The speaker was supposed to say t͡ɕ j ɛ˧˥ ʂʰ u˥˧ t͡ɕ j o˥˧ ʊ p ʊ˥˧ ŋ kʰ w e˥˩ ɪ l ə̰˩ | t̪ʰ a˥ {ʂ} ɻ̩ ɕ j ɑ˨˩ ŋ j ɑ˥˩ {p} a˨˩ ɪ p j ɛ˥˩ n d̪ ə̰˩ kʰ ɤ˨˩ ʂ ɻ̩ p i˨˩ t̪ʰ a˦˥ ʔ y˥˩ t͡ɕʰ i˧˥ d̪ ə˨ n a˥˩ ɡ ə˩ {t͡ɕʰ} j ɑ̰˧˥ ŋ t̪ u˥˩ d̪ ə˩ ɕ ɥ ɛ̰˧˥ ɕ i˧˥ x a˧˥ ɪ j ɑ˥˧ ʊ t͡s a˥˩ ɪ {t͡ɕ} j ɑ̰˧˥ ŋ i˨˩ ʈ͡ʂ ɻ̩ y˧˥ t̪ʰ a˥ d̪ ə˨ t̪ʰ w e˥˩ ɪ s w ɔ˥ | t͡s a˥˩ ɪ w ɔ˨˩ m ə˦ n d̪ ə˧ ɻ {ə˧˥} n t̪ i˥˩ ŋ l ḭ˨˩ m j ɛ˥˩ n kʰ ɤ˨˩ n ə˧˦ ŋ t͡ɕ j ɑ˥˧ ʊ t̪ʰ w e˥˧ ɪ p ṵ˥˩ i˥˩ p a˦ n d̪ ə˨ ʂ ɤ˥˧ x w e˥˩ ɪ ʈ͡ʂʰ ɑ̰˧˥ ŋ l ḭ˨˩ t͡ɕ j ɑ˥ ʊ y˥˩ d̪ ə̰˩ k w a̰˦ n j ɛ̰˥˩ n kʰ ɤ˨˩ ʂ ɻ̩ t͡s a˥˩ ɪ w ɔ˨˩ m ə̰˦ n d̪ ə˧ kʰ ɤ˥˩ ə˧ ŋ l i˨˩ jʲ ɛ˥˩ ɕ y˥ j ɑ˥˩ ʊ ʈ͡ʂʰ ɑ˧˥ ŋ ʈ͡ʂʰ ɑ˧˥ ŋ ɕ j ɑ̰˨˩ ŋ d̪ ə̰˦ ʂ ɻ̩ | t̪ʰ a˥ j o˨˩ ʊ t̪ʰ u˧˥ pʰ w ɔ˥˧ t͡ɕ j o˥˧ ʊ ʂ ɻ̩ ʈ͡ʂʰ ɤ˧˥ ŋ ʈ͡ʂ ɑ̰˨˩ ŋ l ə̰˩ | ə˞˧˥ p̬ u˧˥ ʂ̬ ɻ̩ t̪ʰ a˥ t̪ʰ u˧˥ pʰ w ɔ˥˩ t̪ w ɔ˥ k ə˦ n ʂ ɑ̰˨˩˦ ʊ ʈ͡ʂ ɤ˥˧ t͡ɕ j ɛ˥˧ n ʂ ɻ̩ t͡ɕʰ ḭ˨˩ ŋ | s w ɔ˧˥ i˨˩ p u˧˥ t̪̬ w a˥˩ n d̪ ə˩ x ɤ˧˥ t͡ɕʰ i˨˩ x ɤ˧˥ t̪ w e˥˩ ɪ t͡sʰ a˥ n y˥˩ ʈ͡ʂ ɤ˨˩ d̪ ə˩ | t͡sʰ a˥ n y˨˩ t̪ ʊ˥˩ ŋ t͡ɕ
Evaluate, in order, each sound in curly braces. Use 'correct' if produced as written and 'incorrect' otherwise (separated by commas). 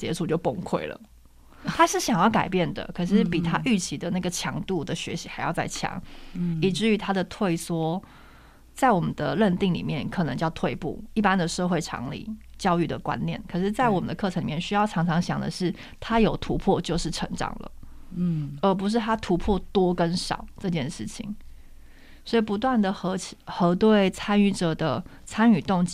correct, incorrect, correct, incorrect, incorrect